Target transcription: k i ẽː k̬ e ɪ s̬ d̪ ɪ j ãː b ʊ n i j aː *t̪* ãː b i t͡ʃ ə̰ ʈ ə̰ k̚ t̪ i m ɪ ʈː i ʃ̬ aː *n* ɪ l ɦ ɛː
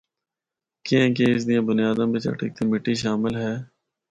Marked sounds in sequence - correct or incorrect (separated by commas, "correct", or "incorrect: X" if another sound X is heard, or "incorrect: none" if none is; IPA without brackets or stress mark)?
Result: incorrect: d̪, incorrect: m